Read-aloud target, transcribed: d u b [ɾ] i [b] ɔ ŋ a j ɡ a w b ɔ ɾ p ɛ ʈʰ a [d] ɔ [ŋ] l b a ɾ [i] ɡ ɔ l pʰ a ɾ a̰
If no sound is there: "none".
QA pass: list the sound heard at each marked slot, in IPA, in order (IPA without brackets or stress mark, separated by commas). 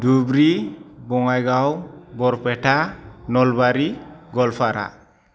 ɾ, b, n, none, i